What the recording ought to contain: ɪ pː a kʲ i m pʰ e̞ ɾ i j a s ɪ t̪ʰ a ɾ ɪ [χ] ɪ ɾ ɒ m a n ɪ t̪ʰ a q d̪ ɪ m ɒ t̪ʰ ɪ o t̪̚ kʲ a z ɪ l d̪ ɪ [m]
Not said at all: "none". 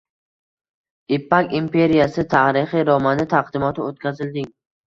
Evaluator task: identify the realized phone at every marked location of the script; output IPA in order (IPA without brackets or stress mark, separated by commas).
χ, ŋ